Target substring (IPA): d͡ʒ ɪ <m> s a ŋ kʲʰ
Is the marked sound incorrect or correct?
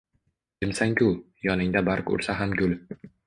correct